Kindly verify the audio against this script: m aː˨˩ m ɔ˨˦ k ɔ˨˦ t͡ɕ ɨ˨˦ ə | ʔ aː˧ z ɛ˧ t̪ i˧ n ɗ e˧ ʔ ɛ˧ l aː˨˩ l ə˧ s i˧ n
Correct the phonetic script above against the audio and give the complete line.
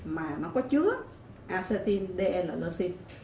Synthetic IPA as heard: m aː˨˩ n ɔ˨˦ k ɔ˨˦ t͡ɕ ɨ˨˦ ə | ʔ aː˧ s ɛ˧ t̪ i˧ n ɗ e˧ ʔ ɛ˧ l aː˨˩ l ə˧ s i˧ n